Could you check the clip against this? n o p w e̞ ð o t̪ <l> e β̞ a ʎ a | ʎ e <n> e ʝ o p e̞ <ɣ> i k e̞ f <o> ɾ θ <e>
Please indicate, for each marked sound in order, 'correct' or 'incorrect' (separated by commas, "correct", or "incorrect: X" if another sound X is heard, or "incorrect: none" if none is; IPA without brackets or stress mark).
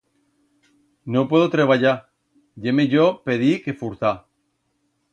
incorrect: ɾ, incorrect: m, incorrect: ð, incorrect: u, incorrect: a